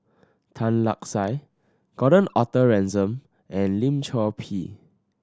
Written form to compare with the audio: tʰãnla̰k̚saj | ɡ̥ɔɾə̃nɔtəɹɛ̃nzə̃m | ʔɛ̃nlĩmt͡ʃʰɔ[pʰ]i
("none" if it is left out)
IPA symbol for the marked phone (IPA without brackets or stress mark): pʰ